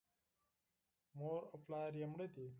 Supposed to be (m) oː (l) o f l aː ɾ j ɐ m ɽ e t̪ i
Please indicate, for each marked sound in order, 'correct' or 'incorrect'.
correct, incorrect

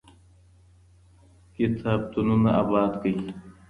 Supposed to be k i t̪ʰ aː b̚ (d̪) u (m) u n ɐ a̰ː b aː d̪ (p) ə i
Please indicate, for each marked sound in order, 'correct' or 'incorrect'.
incorrect, incorrect, incorrect

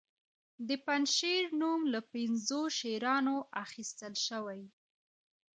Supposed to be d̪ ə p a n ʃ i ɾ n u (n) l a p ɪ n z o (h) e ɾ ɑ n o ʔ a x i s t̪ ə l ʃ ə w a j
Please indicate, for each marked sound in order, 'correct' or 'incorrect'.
incorrect, incorrect

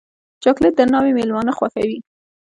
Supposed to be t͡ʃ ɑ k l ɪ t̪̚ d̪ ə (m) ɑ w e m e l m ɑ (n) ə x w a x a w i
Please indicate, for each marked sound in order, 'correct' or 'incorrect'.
incorrect, correct

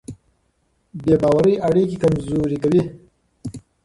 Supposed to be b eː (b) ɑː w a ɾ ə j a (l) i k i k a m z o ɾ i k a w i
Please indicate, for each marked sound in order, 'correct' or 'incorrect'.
correct, incorrect

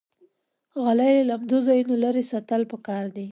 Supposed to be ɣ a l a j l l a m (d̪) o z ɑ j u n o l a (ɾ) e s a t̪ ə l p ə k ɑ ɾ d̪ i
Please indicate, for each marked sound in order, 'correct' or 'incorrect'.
correct, correct

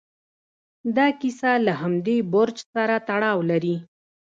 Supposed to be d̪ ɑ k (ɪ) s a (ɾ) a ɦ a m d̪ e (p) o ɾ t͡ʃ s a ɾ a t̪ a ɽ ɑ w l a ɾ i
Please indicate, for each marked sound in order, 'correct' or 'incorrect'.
incorrect, incorrect, incorrect

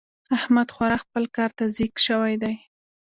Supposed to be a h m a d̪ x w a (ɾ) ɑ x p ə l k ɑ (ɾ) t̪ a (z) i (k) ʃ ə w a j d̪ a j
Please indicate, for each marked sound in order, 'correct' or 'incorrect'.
correct, correct, correct, correct

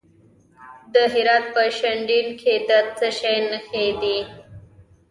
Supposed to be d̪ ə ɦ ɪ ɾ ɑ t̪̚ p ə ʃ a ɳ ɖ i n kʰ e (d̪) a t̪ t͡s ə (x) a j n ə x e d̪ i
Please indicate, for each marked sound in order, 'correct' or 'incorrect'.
correct, incorrect

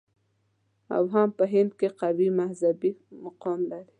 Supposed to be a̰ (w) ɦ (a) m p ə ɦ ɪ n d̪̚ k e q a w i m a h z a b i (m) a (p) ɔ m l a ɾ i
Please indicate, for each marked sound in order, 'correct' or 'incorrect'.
correct, correct, correct, incorrect

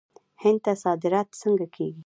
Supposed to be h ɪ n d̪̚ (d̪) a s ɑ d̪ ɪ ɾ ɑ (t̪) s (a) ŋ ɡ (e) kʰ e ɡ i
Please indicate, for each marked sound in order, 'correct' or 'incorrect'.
incorrect, correct, incorrect, incorrect

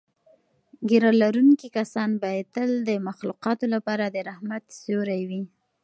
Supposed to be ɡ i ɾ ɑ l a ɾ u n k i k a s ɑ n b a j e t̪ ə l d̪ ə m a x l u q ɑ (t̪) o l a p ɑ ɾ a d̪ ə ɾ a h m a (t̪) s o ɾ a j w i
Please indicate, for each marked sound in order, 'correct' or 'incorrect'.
correct, correct

